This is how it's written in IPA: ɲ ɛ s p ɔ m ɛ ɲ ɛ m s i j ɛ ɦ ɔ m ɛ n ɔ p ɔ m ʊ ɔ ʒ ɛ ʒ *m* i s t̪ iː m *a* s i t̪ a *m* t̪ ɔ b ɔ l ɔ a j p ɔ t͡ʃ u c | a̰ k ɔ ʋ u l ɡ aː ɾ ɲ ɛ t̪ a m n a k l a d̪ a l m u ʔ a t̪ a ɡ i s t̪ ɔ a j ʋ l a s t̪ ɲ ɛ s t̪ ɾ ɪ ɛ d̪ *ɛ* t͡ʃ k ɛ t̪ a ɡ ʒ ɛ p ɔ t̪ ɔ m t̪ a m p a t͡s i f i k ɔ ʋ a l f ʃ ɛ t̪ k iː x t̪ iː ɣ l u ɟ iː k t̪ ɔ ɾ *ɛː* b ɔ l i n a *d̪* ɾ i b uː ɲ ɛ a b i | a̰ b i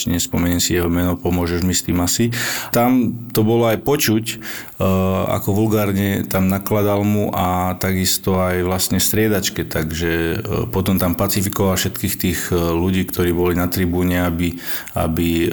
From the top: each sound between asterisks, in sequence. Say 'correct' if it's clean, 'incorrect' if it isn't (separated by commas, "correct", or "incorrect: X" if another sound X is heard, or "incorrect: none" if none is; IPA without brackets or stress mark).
correct, correct, correct, incorrect: a, incorrect: iː, incorrect: t̪